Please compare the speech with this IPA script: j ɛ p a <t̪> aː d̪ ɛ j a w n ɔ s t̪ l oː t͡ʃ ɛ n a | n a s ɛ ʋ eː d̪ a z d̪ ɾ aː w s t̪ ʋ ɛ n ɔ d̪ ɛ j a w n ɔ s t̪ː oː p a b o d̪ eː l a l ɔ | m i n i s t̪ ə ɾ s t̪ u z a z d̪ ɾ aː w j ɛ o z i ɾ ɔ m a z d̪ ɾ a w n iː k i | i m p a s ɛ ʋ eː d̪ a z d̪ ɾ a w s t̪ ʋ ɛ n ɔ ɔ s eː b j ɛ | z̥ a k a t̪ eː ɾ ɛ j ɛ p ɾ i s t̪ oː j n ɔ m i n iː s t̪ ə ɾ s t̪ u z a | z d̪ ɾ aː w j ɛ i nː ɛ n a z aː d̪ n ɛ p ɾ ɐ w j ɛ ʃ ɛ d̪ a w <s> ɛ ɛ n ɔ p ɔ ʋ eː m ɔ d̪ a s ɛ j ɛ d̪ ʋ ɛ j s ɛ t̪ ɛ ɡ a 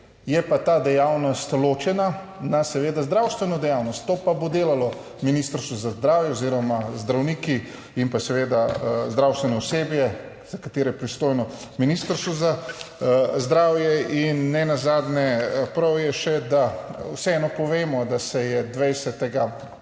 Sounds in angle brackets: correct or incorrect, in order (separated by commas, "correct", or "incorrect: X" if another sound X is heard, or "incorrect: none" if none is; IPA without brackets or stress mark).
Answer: correct, correct